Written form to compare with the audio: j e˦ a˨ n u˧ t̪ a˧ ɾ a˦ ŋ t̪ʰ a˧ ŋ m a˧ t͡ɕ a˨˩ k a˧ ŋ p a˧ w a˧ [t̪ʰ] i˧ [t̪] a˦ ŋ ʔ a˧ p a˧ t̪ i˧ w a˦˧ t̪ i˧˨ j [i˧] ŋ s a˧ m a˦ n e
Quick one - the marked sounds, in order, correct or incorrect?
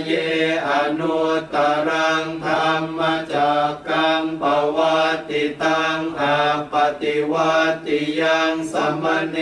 incorrect, correct, incorrect

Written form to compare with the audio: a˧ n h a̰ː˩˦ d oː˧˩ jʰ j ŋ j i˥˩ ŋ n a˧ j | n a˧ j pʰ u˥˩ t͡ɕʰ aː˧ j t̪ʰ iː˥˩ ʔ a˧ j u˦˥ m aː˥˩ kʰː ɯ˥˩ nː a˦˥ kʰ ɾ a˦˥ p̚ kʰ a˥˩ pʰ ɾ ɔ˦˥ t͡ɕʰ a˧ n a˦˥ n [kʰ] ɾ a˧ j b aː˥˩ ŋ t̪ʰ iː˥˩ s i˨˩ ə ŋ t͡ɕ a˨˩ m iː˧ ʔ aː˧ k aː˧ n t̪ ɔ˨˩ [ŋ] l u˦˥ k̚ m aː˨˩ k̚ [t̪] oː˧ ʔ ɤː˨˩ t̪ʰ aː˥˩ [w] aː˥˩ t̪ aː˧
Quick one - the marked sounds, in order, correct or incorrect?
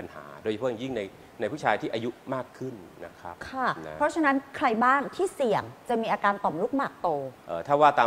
correct, incorrect, correct, correct

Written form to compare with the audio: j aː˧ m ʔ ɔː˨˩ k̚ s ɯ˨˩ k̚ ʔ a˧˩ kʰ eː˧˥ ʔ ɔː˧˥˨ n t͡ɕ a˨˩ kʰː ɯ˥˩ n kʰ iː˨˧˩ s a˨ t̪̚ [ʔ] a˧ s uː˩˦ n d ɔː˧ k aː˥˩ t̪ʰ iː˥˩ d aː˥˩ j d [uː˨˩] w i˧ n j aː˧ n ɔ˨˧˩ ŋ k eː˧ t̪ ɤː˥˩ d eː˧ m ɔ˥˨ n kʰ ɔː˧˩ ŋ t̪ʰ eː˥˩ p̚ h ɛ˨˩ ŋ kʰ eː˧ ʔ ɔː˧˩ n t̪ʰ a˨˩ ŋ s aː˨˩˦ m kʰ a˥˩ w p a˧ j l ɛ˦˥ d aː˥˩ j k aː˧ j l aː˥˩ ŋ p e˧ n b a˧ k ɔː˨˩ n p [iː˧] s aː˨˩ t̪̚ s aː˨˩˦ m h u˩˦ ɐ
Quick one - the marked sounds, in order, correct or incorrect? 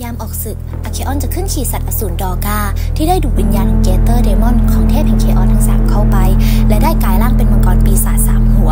correct, correct, correct

